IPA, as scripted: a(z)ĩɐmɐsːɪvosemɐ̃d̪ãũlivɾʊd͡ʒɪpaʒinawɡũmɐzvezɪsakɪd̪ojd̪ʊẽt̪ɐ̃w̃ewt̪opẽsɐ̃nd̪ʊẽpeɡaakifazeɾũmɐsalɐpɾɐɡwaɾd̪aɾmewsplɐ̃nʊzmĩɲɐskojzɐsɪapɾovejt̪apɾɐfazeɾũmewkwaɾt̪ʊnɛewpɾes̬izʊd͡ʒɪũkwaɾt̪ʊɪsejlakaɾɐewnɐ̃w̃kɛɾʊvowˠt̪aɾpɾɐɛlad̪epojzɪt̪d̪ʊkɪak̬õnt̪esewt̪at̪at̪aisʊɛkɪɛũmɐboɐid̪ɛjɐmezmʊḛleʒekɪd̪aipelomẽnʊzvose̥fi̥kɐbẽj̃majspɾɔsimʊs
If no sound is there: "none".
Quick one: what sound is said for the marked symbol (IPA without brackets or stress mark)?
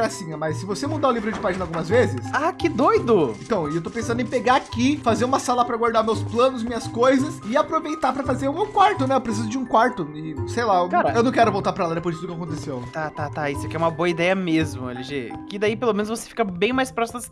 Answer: s